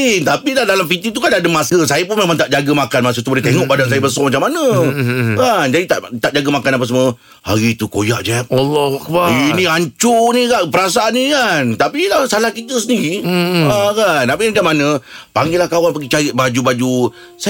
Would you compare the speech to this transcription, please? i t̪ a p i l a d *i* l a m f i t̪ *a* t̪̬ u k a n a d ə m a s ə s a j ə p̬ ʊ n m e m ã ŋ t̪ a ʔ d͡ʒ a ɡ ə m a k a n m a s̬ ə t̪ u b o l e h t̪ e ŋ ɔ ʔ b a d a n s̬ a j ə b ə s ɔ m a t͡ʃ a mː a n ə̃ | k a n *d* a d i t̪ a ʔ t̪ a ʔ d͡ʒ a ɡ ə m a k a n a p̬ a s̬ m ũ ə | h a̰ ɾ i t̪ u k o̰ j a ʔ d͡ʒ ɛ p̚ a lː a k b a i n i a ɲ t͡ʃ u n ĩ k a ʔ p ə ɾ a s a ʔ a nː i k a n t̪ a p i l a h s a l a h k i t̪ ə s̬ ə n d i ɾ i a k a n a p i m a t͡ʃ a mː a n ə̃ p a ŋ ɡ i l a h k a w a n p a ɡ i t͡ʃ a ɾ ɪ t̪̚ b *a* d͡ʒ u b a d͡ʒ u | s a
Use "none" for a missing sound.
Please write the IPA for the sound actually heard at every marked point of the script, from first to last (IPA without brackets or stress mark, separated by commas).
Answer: a, i, d͡ʒ, a